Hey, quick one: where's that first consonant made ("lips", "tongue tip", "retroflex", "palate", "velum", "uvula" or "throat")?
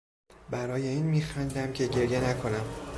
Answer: lips